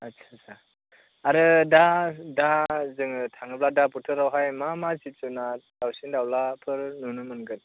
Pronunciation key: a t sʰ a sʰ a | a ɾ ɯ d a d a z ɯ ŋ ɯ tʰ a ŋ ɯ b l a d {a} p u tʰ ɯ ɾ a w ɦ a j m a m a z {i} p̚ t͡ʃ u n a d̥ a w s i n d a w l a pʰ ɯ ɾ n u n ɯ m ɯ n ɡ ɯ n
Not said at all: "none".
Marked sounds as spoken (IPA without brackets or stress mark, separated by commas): a, i